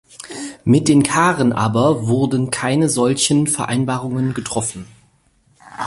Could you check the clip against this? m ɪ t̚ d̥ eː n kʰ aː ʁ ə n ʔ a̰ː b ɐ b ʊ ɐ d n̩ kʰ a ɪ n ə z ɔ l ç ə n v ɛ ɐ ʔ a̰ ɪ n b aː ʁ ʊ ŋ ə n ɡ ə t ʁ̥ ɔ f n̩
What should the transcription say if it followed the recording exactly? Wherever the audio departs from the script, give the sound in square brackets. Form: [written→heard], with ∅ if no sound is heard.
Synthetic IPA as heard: m ɪ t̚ d̥ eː n kʰ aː ʁ ə n ʔ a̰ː b ɐ [b→v] ʊ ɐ d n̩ kʰ a ɪ n ə z ɔ l ç ə n [v→f] ɛ ɐ ʔ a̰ ɪ n b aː ʁ ʊ ŋ ə n ɡ ə t ʁ̥ ɔ f n̩

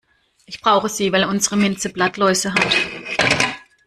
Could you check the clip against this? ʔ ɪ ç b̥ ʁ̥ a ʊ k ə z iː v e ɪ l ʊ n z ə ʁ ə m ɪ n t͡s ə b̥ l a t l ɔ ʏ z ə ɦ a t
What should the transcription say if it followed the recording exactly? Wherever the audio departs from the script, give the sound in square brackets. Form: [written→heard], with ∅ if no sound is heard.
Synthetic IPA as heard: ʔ ɪ ç b̥ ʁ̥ a ʊ [k→x] ə z iː v [e→a] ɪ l ʊ n z ə ʁ ə m ɪ n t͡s ə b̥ l a t l ɔ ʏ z ə ɦ a t

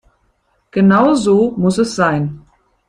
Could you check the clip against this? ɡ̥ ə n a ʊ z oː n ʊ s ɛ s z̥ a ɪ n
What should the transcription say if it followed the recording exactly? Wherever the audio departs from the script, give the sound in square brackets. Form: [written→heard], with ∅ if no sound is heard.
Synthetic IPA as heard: ɡ̥ ə n a ʊ z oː [n→m] ʊ s ɛ s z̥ a ɪ n

